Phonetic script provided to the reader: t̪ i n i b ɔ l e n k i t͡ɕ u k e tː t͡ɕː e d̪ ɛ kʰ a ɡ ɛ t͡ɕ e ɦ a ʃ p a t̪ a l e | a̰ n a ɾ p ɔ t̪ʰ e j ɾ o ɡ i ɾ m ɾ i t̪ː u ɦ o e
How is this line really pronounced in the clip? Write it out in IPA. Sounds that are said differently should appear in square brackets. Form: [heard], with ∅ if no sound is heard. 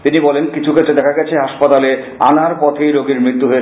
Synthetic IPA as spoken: t̪ i n i b ɔ l e n k i [t͡ɕʰ] u k e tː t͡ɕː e d̪ ɛ kʰ a ɡ ɛ [t͡ɕʰ] e ɦ a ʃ p a t̪ a l e | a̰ n a ɾ p ɔ t̪ʰ e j ɾ o ɡ i ɾ m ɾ i t̪ː u ɦ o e